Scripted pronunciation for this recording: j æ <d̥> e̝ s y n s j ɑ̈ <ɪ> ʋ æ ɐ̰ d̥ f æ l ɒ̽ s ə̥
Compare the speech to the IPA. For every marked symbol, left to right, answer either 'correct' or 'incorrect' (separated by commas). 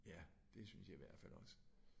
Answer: correct, incorrect